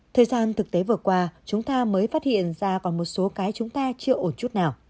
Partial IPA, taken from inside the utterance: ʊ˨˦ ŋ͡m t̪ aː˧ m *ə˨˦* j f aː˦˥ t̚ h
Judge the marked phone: incorrect: əː˨˦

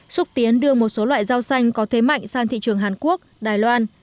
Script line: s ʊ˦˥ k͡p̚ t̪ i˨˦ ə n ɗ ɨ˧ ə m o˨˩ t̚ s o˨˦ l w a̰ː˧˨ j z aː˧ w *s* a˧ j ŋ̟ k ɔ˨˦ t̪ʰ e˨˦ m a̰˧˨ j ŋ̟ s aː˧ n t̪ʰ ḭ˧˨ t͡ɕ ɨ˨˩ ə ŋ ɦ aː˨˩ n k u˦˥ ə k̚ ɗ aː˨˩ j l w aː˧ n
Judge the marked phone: correct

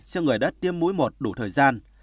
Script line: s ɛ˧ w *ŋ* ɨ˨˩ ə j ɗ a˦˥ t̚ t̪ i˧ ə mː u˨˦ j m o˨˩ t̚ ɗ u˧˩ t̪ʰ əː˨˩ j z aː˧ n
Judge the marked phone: correct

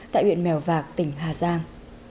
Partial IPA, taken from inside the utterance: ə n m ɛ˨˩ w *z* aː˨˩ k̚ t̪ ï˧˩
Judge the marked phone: incorrect: v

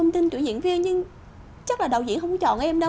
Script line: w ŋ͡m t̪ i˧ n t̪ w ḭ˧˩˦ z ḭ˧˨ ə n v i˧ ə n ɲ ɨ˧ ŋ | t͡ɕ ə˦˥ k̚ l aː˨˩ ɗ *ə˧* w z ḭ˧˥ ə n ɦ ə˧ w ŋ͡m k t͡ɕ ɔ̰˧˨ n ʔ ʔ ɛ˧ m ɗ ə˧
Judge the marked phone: incorrect: ə˨˩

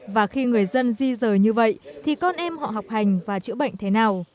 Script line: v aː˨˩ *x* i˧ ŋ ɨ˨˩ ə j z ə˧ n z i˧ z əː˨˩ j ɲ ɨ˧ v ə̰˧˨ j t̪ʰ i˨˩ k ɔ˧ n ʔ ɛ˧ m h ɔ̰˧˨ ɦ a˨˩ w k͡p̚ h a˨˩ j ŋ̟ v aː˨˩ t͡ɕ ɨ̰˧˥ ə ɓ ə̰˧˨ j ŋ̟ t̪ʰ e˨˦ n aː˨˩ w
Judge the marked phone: correct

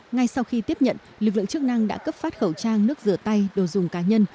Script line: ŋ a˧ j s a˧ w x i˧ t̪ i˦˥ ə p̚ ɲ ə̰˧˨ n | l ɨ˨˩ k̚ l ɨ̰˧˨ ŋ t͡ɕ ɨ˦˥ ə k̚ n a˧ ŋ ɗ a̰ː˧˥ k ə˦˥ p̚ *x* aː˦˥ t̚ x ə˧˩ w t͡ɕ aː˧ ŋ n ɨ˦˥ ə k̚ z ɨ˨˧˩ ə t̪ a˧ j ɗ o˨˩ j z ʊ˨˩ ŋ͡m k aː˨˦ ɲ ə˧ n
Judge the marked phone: incorrect: f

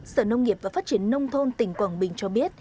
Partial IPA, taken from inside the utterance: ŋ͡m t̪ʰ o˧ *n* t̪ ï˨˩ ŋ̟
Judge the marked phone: correct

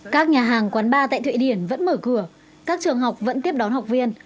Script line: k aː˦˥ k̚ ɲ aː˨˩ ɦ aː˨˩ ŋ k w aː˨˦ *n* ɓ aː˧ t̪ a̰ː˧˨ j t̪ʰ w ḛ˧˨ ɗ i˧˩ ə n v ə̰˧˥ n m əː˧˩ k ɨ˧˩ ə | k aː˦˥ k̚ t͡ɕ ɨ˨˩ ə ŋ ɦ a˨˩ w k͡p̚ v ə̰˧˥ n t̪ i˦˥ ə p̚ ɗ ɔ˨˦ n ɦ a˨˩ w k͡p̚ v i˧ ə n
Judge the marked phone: correct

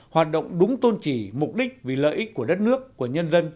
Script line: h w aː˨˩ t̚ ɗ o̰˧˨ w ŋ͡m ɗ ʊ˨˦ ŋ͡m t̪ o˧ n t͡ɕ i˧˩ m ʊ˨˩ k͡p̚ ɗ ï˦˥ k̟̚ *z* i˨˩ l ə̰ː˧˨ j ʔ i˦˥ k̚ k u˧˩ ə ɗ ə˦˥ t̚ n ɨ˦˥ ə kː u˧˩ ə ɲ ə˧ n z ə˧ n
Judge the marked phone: incorrect: v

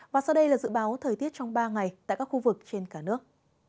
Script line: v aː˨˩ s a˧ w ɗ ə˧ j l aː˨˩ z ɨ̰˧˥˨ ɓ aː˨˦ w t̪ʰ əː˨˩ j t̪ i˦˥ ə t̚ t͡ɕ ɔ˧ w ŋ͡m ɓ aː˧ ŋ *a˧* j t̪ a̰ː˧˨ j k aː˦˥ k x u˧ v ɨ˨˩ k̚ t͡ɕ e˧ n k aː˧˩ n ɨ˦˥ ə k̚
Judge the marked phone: incorrect: a˨˩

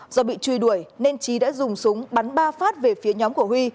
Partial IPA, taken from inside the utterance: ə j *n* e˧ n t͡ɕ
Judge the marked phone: correct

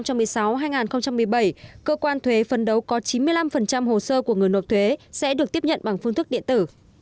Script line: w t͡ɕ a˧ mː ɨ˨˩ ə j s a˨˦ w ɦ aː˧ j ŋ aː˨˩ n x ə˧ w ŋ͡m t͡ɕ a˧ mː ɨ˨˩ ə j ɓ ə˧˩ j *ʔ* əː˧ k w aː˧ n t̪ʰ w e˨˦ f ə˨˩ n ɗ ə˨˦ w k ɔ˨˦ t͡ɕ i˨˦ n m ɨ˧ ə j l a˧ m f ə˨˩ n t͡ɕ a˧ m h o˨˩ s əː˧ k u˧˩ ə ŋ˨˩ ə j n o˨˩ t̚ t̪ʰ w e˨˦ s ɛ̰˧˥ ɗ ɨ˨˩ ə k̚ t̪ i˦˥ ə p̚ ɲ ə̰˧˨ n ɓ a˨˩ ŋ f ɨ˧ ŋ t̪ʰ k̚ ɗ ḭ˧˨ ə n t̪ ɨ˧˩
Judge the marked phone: incorrect: k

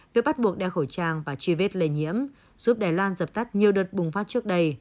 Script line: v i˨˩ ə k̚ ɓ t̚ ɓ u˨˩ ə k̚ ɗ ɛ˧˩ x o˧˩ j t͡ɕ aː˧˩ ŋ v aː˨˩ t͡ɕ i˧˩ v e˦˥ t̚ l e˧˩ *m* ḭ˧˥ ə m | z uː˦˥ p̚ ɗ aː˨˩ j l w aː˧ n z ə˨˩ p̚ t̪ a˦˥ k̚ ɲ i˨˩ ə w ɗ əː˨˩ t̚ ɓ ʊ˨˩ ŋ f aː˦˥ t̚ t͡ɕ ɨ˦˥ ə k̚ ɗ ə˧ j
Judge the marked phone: incorrect: ɲ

